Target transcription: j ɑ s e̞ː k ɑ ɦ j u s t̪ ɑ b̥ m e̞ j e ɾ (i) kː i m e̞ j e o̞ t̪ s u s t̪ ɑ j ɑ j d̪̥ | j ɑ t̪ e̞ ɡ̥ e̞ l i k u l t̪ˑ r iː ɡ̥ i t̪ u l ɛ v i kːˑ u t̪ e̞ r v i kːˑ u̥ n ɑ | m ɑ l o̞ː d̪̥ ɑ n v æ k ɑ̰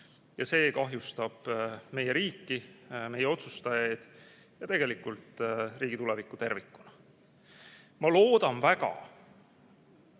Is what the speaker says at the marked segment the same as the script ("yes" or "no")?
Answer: no